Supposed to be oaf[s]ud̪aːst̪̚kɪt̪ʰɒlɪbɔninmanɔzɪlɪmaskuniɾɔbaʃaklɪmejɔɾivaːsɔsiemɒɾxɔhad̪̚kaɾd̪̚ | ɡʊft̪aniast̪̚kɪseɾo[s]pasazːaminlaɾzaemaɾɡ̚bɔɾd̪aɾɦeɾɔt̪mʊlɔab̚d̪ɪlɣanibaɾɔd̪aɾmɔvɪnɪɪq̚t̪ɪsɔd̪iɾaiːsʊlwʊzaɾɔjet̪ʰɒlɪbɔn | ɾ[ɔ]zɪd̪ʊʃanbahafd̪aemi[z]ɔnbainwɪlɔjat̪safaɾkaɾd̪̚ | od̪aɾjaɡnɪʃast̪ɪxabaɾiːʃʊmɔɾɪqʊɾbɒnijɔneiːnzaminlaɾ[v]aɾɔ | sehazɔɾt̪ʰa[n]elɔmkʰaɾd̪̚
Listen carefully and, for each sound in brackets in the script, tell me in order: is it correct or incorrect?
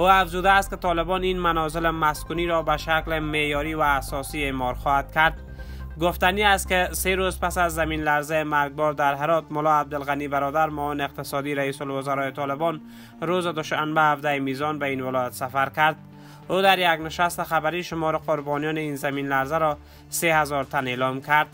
incorrect, incorrect, incorrect, correct, incorrect, correct

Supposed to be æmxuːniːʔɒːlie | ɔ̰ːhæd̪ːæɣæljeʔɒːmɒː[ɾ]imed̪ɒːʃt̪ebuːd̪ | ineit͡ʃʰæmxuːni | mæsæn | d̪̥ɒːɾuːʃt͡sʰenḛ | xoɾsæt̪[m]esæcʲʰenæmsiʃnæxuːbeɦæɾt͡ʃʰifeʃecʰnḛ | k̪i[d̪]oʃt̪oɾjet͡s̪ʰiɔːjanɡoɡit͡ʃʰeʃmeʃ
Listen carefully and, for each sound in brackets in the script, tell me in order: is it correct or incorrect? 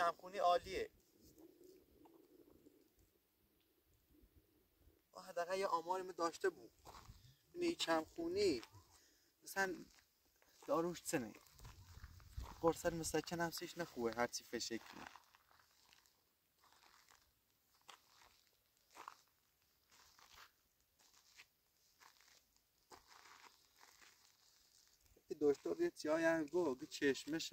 correct, correct, correct

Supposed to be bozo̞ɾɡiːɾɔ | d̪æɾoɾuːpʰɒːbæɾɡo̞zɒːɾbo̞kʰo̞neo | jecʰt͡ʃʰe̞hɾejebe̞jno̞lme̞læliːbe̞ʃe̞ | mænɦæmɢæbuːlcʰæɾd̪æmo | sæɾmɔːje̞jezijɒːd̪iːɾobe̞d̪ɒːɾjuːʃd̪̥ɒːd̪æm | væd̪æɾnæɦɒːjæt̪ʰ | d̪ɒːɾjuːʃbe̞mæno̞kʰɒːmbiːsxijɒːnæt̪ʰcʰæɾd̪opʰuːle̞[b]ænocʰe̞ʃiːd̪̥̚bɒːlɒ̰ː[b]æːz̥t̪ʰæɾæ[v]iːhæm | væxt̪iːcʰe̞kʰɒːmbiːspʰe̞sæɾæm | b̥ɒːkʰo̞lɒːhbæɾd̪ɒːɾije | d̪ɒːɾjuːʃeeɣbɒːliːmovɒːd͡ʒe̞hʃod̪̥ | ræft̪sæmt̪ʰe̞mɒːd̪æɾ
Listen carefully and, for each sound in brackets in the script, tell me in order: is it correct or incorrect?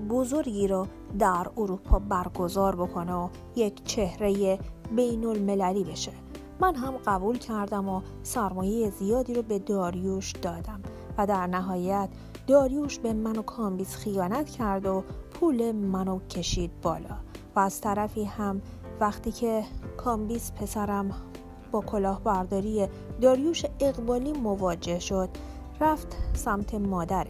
incorrect, incorrect, incorrect

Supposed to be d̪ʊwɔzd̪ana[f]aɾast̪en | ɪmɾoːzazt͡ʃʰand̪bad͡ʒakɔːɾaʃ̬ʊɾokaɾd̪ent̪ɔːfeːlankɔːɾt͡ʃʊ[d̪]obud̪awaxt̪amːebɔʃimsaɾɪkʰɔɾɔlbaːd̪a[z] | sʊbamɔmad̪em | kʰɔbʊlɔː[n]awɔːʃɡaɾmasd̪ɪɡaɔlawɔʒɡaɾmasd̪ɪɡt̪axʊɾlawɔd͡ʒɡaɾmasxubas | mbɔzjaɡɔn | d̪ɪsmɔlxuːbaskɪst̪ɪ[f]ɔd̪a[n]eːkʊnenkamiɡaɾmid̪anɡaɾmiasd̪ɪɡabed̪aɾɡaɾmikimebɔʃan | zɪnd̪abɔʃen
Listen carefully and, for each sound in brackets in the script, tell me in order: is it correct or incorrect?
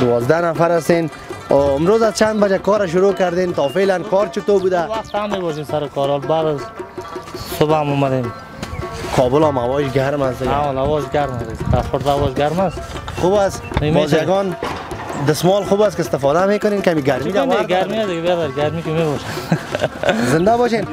correct, incorrect, correct, incorrect, correct, incorrect

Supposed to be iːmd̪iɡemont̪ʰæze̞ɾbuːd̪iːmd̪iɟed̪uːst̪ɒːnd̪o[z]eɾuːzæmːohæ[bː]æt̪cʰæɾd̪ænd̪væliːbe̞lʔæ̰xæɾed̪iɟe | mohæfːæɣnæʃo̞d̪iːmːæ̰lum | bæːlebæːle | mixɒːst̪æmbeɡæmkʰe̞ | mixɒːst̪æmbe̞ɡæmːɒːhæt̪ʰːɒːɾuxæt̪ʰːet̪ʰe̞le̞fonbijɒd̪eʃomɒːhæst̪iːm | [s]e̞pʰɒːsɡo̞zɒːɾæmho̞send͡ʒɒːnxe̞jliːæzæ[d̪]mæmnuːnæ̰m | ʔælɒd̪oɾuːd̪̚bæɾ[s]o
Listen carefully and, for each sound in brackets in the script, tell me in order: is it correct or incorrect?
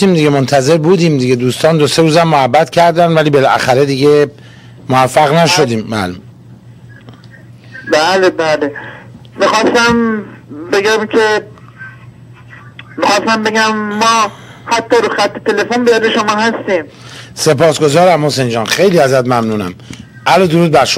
incorrect, correct, correct, incorrect, incorrect

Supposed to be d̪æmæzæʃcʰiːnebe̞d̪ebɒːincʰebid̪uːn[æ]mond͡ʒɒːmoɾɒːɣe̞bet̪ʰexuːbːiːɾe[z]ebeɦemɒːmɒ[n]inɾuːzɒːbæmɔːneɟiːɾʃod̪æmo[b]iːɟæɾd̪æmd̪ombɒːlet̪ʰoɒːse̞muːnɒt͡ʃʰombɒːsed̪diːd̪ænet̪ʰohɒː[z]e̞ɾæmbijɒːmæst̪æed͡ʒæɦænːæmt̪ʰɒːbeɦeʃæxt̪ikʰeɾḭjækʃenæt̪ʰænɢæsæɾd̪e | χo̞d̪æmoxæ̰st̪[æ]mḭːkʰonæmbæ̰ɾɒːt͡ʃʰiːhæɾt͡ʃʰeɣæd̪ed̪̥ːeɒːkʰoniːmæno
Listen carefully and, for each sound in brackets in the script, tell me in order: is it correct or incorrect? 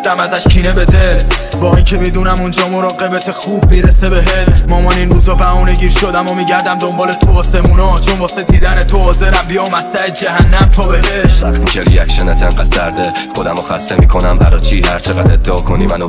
correct, incorrect, correct, incorrect, correct, incorrect

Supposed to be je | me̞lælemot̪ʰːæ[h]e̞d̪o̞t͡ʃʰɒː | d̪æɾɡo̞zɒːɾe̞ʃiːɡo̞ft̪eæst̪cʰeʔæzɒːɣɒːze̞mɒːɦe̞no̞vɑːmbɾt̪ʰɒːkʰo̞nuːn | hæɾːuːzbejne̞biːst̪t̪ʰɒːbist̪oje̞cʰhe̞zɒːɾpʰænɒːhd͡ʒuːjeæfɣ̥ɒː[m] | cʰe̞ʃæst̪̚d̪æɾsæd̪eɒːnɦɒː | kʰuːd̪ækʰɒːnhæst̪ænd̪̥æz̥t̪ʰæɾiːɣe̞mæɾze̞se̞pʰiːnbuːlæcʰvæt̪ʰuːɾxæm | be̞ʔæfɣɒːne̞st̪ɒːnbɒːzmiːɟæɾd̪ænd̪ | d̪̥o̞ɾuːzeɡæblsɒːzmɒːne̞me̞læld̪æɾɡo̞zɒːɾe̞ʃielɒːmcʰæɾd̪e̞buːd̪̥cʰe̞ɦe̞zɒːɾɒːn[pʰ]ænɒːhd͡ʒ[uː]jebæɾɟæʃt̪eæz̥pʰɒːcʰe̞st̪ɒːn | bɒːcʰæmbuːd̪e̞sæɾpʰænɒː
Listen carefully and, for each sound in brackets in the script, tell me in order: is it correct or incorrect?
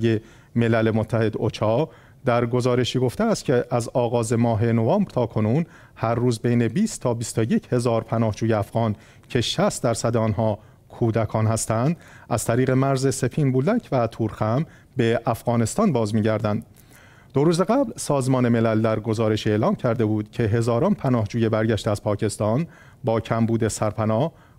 correct, incorrect, correct, correct

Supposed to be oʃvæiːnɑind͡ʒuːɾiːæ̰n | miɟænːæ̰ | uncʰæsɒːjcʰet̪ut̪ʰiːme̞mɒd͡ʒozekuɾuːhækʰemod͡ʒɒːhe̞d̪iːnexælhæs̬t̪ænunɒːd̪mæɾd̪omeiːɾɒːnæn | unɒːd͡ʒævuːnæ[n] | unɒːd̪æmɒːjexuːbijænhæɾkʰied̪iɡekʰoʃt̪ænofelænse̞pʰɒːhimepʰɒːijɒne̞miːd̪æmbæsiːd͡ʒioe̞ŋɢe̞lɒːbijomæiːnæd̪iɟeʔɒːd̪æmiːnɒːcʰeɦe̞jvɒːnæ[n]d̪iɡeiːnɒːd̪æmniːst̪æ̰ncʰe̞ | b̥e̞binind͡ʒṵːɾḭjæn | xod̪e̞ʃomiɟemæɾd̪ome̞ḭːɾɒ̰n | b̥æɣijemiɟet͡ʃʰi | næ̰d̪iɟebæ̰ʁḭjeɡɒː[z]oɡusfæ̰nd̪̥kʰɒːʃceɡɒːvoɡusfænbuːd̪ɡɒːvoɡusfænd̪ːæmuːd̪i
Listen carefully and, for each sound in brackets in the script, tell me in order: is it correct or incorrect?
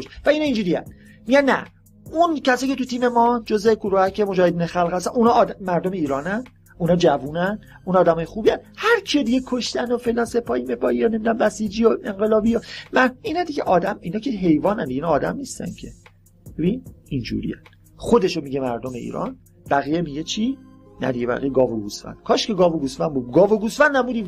correct, correct, incorrect

